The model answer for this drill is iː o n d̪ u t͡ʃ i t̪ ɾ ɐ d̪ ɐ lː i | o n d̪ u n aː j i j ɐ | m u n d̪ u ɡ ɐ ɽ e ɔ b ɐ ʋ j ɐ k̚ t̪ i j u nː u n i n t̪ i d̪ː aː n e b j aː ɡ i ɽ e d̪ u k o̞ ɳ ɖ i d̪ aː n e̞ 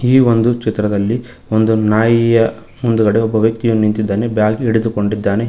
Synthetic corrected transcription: iː o n d̪ u t͡ʃ i t̪ ɾ ɐ d̪ ɐ lː i | o n d̪ u n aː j i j ɐ | m u n d̪ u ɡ ɐ ɽ e ɔ bː ɐ ʋ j ɐ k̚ t̪ i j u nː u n i n t̪ i d̪ː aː n e b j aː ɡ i ɽ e d̪ u k o̞ ɳ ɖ i d̪ː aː n e̞